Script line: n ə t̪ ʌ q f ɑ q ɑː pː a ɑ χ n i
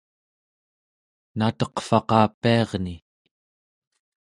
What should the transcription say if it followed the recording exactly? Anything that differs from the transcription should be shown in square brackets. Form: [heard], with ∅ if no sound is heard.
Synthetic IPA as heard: n [a] t̪ ʌ q f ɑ q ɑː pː [i] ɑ [ʁ] n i